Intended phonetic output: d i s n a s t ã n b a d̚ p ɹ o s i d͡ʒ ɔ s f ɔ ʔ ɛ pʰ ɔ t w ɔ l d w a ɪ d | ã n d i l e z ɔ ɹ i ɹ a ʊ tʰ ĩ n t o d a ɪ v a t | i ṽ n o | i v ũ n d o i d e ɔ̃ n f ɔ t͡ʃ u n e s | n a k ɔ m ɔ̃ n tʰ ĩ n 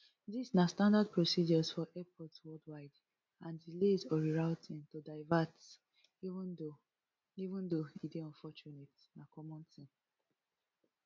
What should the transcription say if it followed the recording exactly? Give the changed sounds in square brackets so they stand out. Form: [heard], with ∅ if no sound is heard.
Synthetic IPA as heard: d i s n a s t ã n [d] a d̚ p ɹ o s i d͡ʒ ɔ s f ɔ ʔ ɛ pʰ ɔ t w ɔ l d w a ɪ d | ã n d i l e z ɔ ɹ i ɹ a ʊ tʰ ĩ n t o d a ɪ v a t | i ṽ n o | i v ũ n d o i d e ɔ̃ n f ɔ t͡ʃ u n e [t] | n a k ɔ m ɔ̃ n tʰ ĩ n